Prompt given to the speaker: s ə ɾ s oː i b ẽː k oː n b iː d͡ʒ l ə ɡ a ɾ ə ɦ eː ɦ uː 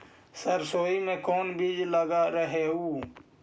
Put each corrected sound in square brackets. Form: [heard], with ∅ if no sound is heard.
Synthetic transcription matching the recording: s ə ɾ s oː i [m] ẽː k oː n b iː d͡ʒ l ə ɡ a ɾ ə ɦ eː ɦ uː